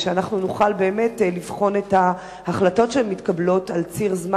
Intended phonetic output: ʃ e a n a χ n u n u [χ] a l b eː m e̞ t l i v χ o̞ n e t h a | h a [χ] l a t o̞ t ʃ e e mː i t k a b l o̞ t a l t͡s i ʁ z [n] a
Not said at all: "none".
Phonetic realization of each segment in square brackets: χ, χ, m

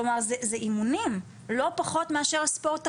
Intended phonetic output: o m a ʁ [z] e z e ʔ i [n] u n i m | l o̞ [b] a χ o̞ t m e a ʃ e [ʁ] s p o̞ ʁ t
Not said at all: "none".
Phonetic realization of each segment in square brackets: z, m, p, ʁ

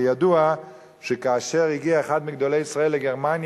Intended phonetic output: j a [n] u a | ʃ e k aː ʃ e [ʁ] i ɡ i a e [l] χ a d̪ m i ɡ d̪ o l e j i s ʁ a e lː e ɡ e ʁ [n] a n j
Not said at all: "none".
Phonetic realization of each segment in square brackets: d, ʁ, none, m

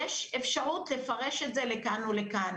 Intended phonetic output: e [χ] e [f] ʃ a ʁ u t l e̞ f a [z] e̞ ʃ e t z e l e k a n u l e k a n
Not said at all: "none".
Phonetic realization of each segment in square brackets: ʃ, f, ʁ

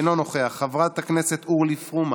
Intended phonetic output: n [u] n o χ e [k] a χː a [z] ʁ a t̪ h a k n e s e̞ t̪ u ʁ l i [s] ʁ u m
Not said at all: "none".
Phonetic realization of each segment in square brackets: o, none, v, f

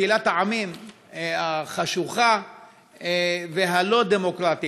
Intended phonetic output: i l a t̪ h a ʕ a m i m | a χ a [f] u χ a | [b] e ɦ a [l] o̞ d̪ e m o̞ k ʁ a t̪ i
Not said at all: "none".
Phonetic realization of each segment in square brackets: ʃ, v, l

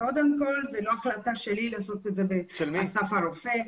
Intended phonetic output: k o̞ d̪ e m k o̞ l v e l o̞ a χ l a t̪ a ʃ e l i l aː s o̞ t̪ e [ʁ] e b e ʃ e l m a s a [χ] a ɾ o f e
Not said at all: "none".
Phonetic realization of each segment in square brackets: z, f

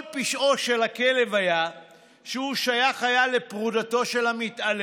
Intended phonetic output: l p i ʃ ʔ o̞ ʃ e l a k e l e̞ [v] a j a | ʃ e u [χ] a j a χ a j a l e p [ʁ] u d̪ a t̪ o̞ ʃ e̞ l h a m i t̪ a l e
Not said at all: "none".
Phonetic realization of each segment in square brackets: v, ʃ, ʁ

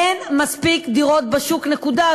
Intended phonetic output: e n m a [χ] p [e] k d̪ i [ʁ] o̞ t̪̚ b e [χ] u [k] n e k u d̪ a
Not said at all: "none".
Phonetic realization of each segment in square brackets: s, i, ʁ, ʃ, k

